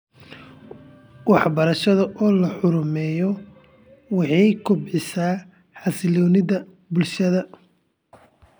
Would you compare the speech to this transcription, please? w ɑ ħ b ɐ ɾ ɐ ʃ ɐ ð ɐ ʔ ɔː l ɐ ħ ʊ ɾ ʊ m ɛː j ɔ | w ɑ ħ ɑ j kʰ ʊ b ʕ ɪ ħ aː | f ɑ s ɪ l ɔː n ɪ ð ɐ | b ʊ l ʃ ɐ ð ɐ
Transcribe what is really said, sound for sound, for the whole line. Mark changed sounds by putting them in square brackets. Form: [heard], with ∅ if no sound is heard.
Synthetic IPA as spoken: w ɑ ħ b ɐ ɾ ɐ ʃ ɐ ð ɐ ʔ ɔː l ɐ ħ ʊ ɾ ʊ m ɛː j ɔ | w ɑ ħ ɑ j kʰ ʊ b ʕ ɪ [s] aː | [ħ] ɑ s ɪ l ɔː n ɪ ð ɐ | b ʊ l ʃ ɐ ð ɐ